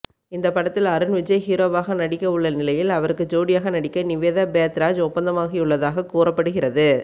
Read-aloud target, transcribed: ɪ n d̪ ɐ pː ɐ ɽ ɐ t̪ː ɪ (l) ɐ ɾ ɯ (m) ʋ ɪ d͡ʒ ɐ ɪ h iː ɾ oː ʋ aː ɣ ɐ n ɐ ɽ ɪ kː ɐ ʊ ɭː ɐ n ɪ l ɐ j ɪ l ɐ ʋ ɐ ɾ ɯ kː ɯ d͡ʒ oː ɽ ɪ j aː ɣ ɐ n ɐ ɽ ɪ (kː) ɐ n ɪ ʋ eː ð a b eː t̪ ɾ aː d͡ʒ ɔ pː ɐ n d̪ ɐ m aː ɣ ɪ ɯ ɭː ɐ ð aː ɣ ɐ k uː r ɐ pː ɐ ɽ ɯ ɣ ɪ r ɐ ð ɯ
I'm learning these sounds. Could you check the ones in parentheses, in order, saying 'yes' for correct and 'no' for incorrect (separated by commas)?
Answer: yes, no, yes